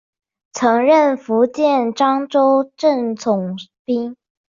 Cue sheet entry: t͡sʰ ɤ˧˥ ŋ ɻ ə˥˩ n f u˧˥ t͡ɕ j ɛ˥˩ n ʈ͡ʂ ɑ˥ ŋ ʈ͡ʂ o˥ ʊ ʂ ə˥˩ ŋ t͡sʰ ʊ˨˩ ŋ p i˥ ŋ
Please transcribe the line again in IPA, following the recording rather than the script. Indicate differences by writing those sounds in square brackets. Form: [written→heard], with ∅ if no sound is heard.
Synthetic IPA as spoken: t͡sʰ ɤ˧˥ ŋ ɻ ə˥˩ n f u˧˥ t͡ɕ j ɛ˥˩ n ʈ͡ʂ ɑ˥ ŋ ʈ͡ʂ o˥ ʊ [ʂ→ʈ͡ʂ] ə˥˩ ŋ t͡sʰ ʊ˨˩ ŋ p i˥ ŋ